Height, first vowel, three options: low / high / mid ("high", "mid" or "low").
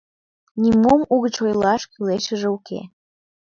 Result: high